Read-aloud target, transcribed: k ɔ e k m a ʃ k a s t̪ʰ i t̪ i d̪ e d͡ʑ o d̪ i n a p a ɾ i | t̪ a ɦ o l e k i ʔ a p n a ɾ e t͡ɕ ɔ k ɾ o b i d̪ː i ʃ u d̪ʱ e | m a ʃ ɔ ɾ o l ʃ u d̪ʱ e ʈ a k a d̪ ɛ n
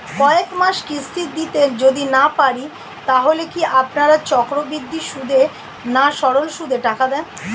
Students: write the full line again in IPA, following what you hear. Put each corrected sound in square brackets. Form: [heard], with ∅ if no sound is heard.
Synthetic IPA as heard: k ɔ e k m a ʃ k [i] s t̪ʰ i [d̪] i [t̪] e d͡ʑ o d̪ i n a p a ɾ i | t̪ a ɦ o l e k i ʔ a p n a ɾ [a] t͡ɕ ɔ k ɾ o b i d̪ː i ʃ u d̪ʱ e | [n] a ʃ ɔ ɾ o l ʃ u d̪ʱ e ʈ a k a d̪ ɛ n